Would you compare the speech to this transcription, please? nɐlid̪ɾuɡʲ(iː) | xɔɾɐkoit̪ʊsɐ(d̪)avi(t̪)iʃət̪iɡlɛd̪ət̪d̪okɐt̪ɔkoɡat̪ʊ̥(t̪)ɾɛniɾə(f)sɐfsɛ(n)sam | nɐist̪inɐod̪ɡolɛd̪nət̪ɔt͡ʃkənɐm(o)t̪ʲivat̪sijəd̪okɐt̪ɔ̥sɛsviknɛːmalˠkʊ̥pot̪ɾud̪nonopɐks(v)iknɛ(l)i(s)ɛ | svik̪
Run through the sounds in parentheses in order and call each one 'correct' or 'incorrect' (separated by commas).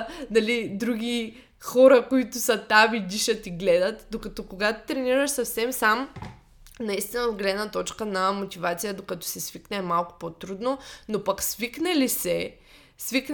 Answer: incorrect, incorrect, incorrect, correct, incorrect, incorrect, correct, correct, correct, correct